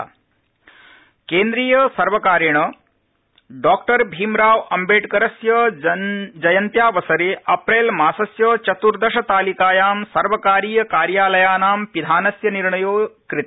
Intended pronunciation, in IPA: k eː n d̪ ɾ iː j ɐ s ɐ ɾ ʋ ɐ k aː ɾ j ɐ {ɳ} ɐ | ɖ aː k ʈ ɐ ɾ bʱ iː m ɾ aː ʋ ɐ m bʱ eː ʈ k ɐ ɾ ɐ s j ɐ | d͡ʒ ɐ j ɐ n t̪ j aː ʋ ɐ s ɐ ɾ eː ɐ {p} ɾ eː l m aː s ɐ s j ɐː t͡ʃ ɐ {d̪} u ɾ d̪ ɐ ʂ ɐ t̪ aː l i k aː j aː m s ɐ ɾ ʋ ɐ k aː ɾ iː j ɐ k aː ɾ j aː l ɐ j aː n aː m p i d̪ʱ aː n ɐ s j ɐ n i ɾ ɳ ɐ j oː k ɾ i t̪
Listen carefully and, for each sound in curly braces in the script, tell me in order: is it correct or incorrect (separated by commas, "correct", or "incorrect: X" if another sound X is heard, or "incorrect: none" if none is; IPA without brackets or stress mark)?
correct, correct, incorrect: t̪